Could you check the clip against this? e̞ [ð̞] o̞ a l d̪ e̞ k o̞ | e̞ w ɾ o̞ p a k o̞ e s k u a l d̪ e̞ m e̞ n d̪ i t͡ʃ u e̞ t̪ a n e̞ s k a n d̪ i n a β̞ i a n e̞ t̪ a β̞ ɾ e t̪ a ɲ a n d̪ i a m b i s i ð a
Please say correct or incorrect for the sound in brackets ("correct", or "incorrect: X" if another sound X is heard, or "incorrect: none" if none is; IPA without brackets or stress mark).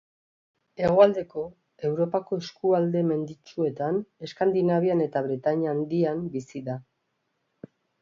incorrect: ɣ̞